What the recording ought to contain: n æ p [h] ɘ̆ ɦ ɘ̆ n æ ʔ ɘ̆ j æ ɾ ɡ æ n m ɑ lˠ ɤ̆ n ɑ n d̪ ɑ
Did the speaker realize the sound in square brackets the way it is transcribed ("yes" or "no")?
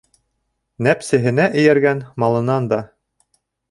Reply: no